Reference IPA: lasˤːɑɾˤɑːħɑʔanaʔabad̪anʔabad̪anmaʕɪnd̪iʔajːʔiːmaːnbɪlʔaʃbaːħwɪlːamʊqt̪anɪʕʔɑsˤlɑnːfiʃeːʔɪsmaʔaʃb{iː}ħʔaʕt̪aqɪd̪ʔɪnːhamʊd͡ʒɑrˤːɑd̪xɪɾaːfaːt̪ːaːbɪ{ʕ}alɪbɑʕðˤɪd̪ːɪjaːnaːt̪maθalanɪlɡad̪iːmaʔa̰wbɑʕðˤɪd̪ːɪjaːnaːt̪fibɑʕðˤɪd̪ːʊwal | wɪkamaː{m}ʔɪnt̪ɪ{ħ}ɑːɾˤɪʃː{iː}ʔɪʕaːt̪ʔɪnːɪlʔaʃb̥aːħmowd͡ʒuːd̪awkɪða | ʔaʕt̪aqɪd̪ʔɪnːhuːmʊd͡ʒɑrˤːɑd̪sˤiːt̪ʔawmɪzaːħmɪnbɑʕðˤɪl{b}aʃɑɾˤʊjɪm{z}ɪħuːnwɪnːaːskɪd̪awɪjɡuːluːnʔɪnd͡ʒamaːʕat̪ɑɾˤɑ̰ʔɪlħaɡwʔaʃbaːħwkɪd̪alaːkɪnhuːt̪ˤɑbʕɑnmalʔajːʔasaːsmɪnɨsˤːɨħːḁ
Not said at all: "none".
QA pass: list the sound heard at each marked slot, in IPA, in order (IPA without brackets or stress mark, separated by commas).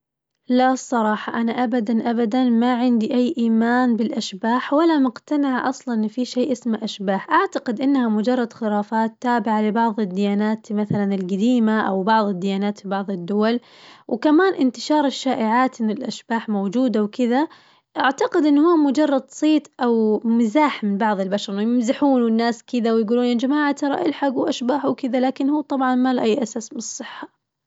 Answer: aː, ʕ, n, ʃ, aː, b, z